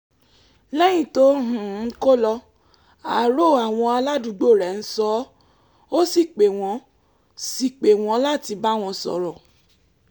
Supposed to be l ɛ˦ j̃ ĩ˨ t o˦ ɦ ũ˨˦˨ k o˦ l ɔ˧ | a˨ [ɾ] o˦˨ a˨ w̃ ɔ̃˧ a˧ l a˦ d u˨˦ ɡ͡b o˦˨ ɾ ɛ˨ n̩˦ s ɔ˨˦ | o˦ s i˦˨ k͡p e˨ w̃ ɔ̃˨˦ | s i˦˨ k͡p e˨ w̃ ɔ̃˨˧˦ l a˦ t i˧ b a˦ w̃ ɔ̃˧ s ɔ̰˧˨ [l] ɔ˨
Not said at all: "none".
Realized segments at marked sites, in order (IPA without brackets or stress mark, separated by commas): ɾ, ɾ